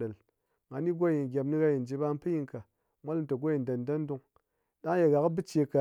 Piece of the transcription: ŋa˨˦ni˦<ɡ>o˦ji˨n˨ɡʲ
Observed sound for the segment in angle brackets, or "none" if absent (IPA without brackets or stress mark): ɡ